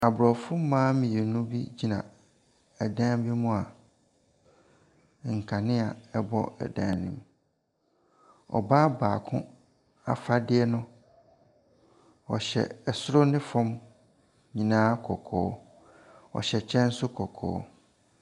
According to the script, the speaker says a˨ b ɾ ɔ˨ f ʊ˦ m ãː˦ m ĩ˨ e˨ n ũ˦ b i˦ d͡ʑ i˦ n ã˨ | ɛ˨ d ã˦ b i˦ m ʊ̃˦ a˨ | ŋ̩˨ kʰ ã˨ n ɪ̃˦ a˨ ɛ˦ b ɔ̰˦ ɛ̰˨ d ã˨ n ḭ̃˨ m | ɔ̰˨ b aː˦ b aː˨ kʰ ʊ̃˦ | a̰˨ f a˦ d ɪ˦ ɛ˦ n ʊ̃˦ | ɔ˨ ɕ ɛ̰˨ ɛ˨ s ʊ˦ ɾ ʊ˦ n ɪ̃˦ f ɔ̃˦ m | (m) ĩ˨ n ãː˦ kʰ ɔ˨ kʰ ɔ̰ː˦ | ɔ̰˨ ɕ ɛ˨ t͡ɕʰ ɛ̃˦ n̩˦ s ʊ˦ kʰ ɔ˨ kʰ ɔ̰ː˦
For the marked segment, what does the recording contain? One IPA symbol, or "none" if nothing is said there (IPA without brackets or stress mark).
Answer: ɲ